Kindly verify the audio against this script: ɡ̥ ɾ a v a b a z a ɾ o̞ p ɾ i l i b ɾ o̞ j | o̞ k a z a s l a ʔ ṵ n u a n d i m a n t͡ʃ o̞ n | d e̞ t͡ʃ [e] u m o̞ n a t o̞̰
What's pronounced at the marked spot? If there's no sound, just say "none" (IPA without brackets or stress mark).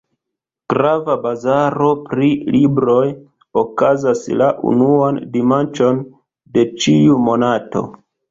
i